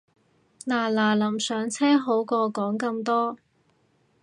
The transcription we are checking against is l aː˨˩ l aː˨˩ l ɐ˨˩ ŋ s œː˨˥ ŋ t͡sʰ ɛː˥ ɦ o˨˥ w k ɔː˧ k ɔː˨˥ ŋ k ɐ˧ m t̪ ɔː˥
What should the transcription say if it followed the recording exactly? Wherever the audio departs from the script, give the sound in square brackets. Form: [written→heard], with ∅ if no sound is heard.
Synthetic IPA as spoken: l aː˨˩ l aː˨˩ l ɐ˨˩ [ŋ→m] s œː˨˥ ŋ t͡sʰ ɛː˥ ɦ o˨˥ w k ɔː˧ k ɔː˨˥ ŋ k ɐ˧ m t̪ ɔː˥